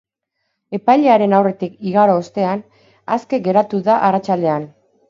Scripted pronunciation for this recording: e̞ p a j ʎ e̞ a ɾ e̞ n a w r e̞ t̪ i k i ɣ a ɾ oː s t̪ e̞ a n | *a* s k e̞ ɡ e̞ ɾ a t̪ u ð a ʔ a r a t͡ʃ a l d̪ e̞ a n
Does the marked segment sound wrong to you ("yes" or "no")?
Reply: no